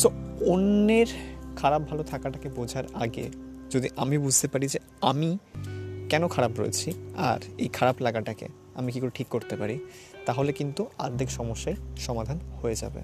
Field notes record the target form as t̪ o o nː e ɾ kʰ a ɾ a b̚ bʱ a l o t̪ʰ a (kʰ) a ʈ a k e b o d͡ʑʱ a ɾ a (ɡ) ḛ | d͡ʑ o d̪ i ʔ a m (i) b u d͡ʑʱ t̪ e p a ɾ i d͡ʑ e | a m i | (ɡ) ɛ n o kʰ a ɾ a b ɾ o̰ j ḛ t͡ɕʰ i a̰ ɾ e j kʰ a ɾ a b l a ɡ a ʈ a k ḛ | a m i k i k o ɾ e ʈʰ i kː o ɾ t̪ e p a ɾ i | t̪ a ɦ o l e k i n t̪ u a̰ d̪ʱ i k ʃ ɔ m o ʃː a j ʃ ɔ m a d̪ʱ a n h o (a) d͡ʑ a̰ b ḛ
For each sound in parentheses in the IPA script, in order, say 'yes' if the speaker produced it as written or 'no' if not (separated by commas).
no, yes, yes, no, no